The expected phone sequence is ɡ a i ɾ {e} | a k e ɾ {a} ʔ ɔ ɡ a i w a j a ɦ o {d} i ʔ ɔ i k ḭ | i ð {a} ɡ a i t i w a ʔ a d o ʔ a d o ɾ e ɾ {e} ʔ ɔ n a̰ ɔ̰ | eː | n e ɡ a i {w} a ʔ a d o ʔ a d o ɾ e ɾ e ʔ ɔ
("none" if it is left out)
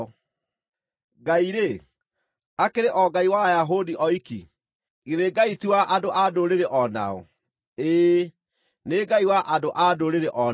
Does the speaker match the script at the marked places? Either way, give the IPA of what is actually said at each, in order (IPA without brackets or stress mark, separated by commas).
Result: e, e, d, e, e, w